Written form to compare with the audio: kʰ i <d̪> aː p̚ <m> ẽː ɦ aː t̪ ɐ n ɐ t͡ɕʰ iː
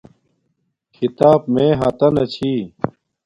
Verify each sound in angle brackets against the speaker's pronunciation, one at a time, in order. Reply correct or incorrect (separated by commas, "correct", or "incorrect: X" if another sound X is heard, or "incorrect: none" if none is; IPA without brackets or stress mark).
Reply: incorrect: t̪, correct